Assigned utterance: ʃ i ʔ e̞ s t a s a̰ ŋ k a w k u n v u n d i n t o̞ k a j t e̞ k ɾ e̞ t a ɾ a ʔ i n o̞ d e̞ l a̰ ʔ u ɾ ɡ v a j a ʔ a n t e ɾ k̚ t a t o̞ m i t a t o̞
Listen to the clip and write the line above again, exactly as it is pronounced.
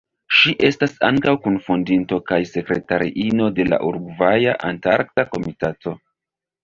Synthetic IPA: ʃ i ʔ e̞ s t a s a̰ ŋ k a w k u n f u n d i n t o̞ k a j s e̞ k ɾ e̞ t a ɾ i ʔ i n o̞ d e̞ l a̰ ʔ u ɾ ɡ v a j a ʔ a n t a ɾ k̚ t a k o̞ m i t a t o̞